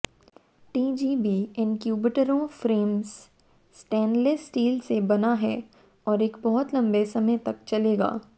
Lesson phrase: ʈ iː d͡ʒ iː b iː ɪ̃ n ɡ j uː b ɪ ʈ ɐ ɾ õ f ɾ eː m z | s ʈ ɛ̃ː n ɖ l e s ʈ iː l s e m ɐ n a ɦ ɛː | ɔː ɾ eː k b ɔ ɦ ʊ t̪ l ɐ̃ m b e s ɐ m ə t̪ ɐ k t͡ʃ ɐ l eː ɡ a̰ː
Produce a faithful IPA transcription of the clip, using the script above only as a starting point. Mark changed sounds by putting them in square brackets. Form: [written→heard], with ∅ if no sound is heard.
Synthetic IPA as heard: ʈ iː d͡ʒ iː b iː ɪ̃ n [ɡ→k] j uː b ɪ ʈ [ɐ→ə] ɾ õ f ɾ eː m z | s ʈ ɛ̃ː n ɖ l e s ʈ iː l s e [m→b] ɐ n a ɦ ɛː | ɔː ɾ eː k b ɔ ɦ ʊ t̪ l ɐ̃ m b e s ɐ m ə t̪ ɐ k t͡ʃ ɐ l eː ɡ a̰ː